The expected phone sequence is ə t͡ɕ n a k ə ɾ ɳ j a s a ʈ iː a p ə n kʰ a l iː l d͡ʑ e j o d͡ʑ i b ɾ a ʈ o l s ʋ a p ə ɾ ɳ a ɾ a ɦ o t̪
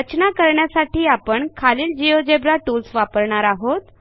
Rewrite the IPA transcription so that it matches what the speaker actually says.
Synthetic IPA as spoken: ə t͡ɕ n a k ə ɾ ɳ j a s a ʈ iː a p ə ɳ kʰ a l iː l d͡ʑ i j o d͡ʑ e b ɾ a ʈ u l s ʋ a p ə ɾ ɳ a ɾ a ɦ o t̪